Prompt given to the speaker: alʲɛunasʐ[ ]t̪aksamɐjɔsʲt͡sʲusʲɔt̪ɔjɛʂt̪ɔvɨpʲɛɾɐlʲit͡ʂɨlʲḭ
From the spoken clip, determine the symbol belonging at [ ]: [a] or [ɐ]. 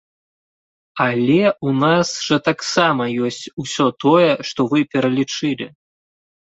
ɐ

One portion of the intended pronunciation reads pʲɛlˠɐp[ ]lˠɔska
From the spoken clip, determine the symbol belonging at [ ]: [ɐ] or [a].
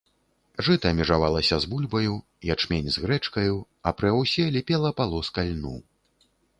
a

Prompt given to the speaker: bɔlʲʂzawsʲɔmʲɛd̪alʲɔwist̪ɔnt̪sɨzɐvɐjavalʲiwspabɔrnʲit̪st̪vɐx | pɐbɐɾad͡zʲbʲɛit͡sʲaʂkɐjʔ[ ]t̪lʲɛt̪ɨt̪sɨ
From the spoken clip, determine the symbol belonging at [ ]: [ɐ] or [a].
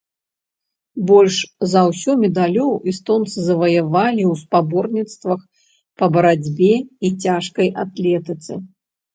a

